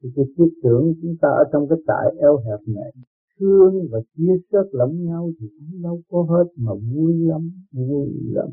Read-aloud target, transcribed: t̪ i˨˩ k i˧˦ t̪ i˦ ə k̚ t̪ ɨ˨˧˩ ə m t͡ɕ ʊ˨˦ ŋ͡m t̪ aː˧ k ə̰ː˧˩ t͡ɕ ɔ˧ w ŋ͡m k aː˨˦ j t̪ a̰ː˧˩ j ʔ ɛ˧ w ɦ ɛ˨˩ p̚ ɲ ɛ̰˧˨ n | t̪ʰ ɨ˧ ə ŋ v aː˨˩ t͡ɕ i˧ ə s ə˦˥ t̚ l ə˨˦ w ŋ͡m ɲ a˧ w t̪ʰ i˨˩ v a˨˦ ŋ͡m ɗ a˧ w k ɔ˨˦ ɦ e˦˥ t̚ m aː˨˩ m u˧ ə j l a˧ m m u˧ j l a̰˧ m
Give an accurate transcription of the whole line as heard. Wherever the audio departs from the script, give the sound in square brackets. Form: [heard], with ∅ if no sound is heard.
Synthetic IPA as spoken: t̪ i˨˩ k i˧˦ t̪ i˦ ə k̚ t̪ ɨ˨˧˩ ə [ŋ] t͡ɕ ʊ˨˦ ŋ͡m t̪ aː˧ [ʔ] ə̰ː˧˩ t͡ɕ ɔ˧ w ŋ͡m k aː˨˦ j t̪ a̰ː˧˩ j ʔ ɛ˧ w ɦ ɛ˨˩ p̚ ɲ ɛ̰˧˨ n | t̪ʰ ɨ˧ ə ŋ v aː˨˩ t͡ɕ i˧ ə s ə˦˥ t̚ l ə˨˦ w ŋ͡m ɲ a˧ w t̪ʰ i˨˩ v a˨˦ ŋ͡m ɗ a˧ w k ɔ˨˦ ɦ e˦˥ t̚ m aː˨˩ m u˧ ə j l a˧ m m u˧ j l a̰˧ m